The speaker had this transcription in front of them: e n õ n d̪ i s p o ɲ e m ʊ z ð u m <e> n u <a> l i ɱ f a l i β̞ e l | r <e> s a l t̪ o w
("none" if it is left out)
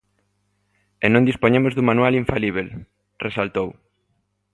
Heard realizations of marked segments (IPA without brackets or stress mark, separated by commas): a, a, e